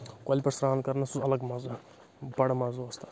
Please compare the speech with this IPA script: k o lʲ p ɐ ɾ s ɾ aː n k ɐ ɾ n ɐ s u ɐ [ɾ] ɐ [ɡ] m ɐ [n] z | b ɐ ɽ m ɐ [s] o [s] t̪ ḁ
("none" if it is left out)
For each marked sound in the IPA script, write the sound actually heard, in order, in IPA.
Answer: l, ɡ, none, z, s

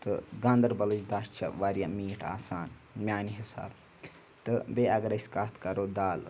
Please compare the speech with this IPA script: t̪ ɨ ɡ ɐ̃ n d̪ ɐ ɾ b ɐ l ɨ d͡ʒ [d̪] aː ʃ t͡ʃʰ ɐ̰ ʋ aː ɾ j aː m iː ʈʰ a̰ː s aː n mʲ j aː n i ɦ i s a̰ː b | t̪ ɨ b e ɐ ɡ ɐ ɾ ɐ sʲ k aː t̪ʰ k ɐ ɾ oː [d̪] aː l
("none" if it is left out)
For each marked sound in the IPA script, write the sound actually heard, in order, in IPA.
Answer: d̪, d̪

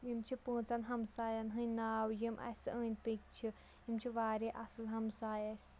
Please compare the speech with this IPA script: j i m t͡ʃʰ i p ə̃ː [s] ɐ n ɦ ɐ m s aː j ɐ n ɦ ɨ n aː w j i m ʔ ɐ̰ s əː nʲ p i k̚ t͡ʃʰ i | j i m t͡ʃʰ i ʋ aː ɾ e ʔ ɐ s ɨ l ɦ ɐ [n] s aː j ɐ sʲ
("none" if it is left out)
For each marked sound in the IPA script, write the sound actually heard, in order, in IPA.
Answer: t͡s, m

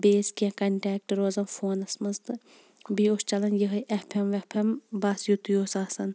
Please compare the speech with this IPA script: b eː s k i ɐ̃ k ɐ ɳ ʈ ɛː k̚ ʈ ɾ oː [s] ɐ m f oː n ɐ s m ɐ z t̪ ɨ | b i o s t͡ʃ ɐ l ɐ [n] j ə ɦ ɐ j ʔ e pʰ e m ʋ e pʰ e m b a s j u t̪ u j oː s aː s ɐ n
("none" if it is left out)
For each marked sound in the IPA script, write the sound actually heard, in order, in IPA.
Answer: z, n

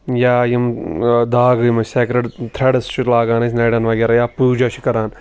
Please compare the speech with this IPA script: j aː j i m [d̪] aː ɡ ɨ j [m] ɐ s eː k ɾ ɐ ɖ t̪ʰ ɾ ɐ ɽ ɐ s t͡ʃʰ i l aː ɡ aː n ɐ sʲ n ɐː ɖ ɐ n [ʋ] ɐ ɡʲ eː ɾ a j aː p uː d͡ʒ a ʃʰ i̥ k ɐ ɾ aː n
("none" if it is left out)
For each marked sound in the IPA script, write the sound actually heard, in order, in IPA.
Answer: d̪, m, ʋ

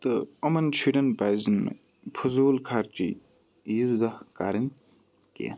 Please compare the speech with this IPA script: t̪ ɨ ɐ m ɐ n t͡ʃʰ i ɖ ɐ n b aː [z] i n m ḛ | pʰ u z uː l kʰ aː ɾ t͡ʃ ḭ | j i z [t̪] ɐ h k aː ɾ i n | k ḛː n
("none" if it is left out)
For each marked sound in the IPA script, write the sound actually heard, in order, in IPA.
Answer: z, d̪

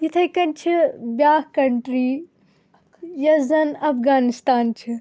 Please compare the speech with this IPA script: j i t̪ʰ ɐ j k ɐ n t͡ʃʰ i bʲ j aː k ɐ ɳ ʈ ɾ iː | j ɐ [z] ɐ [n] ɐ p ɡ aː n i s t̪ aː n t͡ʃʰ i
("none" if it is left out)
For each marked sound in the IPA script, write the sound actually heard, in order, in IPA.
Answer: z, n

